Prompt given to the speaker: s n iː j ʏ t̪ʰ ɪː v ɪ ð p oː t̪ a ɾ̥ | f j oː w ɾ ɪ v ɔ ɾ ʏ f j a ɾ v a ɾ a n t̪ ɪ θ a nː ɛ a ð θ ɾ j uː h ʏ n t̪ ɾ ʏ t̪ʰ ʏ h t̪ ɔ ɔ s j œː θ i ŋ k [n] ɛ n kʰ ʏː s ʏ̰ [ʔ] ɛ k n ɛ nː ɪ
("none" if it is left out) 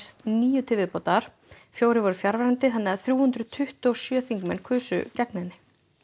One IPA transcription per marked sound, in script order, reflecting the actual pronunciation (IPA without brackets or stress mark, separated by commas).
m, c